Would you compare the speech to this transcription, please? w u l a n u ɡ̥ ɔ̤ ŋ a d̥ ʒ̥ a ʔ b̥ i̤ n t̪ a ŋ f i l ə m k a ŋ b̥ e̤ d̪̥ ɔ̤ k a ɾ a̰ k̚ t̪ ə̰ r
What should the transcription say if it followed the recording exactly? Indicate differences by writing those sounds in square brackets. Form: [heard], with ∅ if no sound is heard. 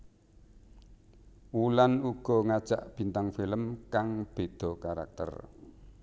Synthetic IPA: w u l a n u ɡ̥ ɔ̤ ŋ a d̥ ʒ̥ a ʔ b̥ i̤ n t̪ a ŋ f i l ə m k a ŋ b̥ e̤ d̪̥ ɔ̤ k a ɾ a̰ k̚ t̪ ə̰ r